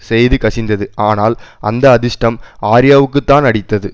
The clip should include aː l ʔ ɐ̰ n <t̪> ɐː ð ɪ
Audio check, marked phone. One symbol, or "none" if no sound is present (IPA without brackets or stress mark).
d̪